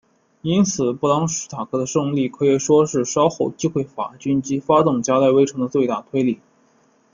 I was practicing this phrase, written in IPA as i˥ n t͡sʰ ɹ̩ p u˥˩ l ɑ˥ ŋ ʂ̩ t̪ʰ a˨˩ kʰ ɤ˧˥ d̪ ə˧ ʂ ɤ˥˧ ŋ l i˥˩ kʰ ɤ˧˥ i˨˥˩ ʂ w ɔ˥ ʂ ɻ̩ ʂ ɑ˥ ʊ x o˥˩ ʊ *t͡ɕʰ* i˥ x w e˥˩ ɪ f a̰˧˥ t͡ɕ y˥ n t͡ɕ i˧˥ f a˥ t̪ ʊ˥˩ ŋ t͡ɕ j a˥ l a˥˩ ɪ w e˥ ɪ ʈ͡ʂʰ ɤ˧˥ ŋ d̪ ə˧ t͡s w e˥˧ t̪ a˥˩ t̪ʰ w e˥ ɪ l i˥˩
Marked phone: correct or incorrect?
incorrect